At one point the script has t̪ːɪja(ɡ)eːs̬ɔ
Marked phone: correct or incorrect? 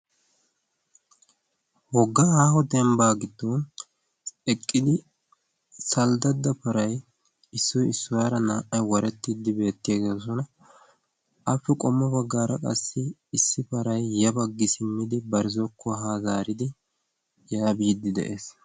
correct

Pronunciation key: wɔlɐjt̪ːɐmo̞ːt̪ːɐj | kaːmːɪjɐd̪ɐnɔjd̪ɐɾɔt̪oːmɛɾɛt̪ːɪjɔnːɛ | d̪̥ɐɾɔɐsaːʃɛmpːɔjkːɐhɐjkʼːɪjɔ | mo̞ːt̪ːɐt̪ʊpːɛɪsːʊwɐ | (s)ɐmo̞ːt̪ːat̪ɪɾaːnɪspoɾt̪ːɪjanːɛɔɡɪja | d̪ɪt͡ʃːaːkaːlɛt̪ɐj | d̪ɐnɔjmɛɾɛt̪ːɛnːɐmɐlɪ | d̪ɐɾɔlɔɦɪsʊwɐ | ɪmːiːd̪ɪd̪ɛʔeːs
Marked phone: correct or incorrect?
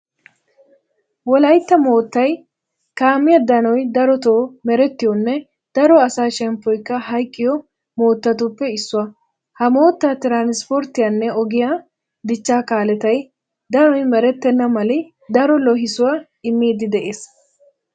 incorrect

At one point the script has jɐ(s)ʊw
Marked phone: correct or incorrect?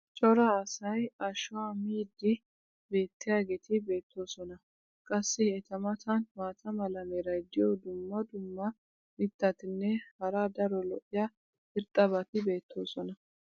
incorrect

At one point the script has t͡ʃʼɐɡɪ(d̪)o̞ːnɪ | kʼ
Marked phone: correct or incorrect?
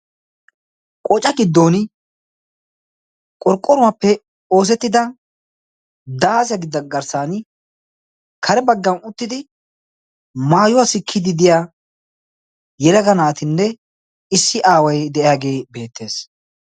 incorrect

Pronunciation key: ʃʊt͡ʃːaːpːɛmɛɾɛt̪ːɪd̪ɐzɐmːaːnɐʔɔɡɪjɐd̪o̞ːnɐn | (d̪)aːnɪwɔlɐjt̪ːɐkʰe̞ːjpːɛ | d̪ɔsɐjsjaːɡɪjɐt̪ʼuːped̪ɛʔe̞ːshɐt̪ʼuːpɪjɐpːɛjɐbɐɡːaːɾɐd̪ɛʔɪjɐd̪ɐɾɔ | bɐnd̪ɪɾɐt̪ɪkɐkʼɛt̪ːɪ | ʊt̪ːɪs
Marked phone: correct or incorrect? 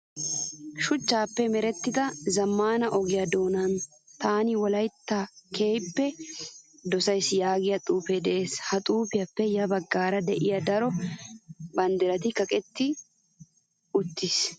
incorrect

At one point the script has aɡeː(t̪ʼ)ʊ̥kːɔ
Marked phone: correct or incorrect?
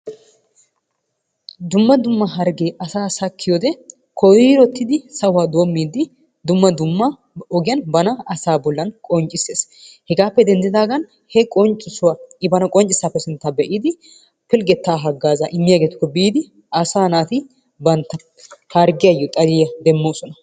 incorrect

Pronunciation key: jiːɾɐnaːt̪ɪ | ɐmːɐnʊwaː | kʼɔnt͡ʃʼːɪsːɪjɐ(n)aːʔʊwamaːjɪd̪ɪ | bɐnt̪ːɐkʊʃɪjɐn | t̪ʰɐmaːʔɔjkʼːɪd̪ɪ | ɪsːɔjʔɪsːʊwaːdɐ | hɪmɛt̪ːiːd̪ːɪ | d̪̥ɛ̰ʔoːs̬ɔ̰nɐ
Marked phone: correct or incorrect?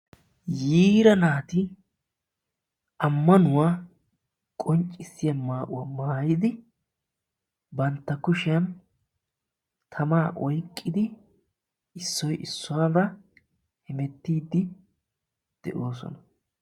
incorrect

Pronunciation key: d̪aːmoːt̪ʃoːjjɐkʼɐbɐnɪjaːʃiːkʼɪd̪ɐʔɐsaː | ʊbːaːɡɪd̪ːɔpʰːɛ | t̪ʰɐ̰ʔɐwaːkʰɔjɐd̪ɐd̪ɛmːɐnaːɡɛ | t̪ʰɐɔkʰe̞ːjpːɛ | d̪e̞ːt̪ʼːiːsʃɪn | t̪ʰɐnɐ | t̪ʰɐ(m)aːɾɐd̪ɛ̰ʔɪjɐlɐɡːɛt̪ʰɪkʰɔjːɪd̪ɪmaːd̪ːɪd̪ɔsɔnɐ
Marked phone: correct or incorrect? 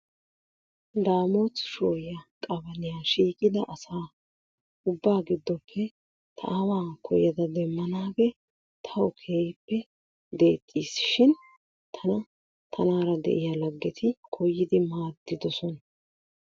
incorrect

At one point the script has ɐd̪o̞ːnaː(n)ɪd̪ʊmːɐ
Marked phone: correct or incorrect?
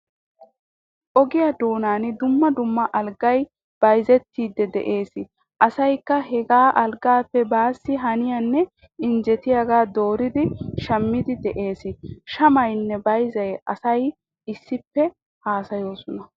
correct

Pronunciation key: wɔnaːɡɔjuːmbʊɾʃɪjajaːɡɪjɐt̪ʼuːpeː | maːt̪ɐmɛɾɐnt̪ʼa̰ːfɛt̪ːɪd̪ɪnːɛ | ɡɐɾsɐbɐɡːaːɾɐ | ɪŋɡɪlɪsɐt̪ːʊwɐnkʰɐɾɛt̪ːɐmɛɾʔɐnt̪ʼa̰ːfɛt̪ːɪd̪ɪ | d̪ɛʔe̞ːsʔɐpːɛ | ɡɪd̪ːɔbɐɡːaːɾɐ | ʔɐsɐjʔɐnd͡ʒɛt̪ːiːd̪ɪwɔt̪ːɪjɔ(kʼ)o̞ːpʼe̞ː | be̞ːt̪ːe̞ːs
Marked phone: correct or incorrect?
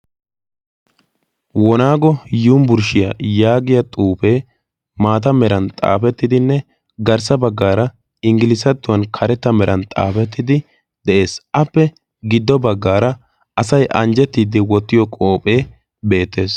correct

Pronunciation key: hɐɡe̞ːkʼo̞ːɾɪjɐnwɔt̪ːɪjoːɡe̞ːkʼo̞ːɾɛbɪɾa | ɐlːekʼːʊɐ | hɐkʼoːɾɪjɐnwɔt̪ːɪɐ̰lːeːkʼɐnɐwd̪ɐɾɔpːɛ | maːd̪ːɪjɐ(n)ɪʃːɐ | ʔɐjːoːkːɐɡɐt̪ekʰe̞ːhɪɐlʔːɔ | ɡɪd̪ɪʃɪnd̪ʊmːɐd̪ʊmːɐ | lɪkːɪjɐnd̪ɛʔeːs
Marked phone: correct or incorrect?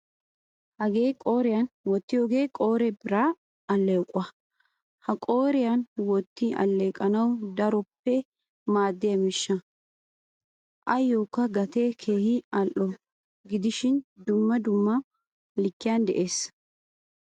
incorrect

